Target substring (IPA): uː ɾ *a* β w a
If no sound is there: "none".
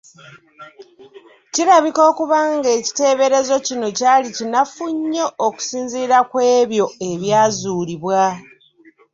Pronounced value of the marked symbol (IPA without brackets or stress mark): i